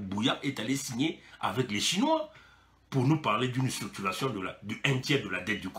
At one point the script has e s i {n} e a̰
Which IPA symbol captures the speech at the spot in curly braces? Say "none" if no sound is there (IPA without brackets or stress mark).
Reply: ɲ